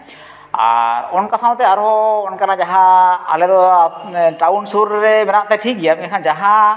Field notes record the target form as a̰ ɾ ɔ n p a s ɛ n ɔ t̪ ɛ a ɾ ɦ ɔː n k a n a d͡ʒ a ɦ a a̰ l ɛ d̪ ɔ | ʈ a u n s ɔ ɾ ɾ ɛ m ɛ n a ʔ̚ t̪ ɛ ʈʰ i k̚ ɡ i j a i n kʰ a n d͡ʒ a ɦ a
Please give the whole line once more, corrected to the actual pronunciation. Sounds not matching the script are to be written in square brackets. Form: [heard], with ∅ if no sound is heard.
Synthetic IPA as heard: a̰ ɾ ɔ n [k] a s [a] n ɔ t̪ ɛ a ɾ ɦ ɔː n k a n a d͡ʒ a ɦ a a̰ l ɛ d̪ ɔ | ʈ a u n s [u] ɾ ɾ ɛ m ɛ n a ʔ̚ t̪ ɛ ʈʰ i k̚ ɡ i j a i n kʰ a n d͡ʒ a ɦ a